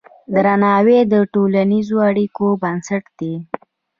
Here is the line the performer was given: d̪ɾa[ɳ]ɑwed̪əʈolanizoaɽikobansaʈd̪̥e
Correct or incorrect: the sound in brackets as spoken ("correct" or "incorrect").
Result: incorrect